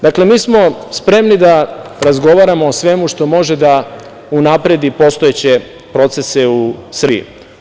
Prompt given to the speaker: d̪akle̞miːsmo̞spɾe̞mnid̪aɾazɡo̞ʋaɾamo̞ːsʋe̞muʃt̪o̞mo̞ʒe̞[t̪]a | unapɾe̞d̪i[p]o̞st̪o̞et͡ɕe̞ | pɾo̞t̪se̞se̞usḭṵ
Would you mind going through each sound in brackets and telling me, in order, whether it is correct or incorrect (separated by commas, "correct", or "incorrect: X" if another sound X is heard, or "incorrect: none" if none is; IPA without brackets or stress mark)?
incorrect: d̪, correct